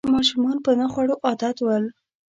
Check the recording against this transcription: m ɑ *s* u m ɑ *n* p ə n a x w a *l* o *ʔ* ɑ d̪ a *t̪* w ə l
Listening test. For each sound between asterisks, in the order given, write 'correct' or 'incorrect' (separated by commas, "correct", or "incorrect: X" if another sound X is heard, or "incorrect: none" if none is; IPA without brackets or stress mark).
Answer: incorrect: ʃ, correct, incorrect: ɽ, correct, correct